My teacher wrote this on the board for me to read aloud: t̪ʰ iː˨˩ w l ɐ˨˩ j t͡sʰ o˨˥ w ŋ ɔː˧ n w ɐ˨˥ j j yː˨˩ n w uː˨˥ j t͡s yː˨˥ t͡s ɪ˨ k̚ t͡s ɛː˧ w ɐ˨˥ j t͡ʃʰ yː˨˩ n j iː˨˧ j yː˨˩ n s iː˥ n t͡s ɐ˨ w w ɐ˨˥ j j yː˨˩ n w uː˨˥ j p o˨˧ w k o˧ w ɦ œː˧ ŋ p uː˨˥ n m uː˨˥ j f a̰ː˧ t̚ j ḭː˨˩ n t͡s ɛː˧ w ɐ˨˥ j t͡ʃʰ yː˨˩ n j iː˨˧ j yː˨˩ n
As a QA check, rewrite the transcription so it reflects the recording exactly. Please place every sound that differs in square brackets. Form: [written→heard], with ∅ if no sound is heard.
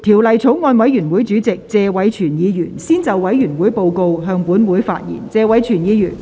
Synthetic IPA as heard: t̪ʰ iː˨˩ w l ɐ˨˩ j t͡sʰ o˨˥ w ŋ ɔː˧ n w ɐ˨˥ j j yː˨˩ n w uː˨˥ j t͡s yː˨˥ t͡s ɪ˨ k̚ t͡s ɛː˧ w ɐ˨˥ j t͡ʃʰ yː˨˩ n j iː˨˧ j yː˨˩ n s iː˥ n t͡s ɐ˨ w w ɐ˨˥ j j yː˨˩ n w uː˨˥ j p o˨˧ w k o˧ w ɦ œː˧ ŋ p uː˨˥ n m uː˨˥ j f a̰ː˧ t̚ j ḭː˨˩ n t͡s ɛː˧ w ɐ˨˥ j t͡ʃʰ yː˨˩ n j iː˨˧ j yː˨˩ n